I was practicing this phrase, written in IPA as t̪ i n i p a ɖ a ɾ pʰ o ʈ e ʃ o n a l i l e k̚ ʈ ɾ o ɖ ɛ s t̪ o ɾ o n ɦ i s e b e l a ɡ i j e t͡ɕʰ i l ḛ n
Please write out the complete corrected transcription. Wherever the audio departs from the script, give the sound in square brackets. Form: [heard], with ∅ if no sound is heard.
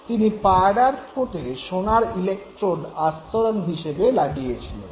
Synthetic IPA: t̪ i n i p a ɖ a ɾ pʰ o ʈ e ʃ o n a [ɾ] i l e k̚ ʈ ɾ o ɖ [a] s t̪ o ɾ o n ɦ i [ʃ] e b e l a ɡ i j e t͡ɕʰ i l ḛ n